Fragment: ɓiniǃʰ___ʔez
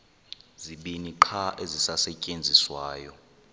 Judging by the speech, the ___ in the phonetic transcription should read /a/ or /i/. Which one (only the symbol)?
a